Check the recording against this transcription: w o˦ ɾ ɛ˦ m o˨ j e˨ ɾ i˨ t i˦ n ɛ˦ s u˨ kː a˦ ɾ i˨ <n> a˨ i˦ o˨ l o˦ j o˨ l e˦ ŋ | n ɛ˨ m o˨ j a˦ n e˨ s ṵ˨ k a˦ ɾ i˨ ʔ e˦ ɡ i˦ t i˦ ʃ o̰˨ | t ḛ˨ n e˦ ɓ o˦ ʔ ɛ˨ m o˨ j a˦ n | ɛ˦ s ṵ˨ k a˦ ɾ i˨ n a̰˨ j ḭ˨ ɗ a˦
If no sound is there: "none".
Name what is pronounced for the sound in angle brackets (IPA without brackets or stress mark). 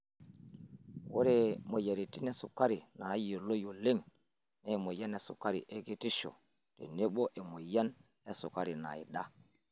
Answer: n